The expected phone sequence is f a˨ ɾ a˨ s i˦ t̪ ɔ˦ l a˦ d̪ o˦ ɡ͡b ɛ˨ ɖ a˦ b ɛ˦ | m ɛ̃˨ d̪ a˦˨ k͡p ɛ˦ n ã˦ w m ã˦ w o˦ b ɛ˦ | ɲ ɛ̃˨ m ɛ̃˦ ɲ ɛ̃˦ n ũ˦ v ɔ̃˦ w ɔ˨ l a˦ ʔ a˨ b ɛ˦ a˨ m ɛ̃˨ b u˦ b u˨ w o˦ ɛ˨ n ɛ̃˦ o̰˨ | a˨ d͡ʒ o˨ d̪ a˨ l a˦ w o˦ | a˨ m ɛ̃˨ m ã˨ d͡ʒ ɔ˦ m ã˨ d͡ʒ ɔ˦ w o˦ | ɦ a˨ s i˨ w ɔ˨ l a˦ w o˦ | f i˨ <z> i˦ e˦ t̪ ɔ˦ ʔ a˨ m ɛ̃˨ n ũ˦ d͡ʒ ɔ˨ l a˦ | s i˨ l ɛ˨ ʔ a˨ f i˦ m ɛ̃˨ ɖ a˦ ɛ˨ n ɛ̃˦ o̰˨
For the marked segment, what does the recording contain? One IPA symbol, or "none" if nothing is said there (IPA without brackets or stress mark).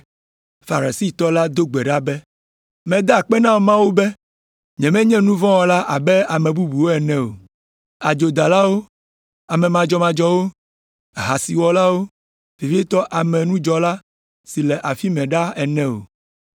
v